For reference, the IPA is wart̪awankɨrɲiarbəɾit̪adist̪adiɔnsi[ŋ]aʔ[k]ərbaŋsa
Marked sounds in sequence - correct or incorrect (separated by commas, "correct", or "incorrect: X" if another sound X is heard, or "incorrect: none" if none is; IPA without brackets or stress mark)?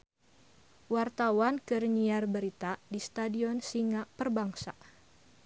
correct, incorrect: p